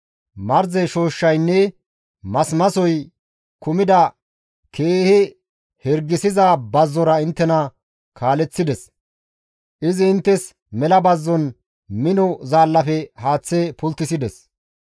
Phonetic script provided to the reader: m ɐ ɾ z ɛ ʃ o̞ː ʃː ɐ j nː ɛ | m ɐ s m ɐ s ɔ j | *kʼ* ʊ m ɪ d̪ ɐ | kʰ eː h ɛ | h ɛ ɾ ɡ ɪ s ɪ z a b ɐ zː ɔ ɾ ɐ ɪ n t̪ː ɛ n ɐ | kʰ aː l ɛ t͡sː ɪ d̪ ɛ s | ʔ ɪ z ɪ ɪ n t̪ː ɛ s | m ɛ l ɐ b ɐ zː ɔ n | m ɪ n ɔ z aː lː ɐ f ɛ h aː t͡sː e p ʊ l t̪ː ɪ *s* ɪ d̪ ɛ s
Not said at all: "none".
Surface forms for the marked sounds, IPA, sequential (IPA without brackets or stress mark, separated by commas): k, s